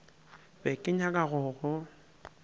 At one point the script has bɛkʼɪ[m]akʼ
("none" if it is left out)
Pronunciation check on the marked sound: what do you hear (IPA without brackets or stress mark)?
ɲ